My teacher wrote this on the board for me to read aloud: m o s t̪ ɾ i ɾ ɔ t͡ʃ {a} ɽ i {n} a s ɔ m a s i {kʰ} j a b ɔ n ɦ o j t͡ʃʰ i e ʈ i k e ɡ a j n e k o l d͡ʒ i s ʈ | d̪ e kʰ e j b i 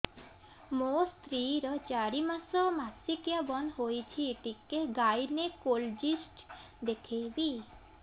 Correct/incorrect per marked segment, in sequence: correct, incorrect: m, incorrect: k

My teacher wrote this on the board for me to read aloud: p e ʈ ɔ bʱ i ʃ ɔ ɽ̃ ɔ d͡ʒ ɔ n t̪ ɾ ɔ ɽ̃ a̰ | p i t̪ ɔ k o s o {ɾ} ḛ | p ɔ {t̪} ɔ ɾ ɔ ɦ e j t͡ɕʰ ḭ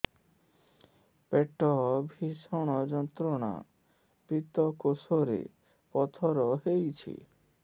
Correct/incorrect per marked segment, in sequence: correct, incorrect: t̪ʰ

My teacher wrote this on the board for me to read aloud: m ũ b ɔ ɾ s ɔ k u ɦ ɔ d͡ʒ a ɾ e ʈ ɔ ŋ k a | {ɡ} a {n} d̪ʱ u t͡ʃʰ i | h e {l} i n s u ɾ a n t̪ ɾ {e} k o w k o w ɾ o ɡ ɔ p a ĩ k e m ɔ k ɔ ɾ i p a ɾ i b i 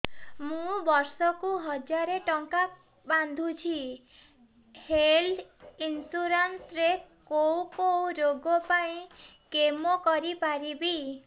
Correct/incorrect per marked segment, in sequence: incorrect: b, correct, correct, correct

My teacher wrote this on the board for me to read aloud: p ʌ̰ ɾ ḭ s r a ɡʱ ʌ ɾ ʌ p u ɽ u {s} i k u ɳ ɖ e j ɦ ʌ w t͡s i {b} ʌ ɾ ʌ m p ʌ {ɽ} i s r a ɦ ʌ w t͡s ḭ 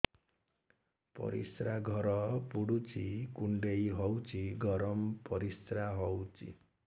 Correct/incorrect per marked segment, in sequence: incorrect: t͡s, incorrect: ɡ, incorrect: ɾ

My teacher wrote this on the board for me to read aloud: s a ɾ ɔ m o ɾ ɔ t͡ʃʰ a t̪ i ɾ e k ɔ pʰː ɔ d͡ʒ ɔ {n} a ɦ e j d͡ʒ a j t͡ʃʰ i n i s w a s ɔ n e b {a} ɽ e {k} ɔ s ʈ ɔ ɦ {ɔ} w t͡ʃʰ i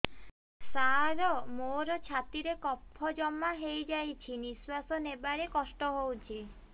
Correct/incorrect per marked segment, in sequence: incorrect: m, correct, correct, incorrect: o

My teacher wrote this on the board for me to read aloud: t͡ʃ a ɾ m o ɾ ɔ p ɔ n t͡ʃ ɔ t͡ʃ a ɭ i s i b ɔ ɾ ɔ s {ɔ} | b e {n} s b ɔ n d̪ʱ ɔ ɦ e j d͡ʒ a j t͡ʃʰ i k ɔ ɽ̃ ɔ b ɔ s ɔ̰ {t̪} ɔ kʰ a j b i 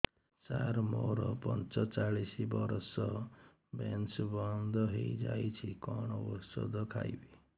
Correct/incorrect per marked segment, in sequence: correct, correct, incorrect: d̪

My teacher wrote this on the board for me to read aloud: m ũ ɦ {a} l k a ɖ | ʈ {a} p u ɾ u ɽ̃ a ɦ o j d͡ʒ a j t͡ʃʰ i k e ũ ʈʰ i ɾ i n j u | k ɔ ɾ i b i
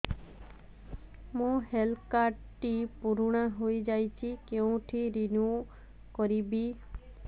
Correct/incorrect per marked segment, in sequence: incorrect: e, incorrect: i

